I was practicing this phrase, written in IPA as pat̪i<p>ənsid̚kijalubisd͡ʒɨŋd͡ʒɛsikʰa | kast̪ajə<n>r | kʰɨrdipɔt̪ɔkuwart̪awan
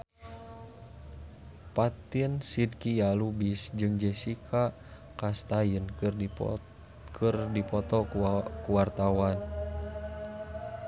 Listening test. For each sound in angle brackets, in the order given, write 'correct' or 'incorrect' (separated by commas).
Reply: incorrect, correct